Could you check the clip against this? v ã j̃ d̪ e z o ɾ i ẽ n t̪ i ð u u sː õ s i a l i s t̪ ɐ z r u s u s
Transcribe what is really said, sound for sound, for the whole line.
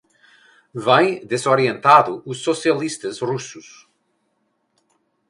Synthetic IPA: v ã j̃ d̪ e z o ɾ i ẽ n t̪ a ð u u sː o s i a l i s t̪ ɐ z r u s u s